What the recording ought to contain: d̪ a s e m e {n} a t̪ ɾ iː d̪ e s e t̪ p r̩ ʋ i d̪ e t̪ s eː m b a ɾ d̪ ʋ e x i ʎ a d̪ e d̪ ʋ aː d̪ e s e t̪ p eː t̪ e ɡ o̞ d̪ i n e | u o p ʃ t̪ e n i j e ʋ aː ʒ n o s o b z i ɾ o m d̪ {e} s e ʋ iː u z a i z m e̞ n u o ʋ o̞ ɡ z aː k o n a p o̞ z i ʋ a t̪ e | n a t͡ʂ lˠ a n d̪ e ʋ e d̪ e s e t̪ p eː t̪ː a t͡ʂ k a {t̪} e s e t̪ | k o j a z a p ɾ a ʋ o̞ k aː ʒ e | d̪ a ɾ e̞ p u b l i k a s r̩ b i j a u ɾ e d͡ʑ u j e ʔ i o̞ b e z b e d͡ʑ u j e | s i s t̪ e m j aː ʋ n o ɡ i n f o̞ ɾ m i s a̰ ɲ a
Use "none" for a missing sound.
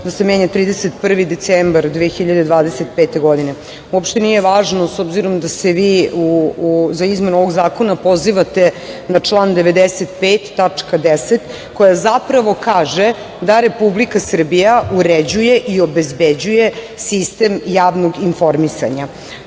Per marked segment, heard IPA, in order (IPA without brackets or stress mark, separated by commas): ɲ, a, d̪